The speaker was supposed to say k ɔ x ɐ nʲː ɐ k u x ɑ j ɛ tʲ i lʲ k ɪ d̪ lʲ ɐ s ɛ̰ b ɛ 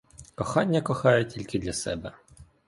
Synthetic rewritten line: k ɔ x ɑ nʲː ɐ k ɔ x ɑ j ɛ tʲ i lʲ k ɪ d̪ lʲ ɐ s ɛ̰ b ɛ